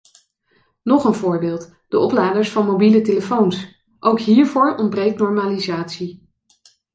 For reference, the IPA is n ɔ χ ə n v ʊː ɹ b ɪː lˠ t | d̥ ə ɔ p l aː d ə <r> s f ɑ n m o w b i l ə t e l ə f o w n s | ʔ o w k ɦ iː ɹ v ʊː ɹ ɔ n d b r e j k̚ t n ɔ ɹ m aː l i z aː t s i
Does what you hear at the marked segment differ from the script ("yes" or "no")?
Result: yes